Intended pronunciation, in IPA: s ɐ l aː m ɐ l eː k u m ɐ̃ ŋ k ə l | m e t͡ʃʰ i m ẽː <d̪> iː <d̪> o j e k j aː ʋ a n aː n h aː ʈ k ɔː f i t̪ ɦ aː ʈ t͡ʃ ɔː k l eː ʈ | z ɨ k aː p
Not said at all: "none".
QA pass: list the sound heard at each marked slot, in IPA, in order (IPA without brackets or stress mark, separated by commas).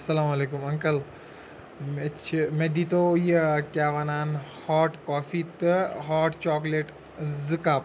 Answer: d̪, t̪